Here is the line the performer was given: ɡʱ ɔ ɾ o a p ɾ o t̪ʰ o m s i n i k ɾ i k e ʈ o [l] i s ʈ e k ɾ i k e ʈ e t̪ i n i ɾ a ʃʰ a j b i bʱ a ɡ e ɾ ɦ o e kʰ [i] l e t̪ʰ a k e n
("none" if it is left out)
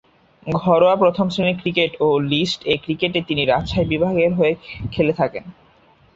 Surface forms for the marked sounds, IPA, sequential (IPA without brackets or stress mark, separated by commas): l, e